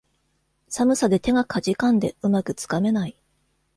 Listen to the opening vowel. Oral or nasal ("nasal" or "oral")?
oral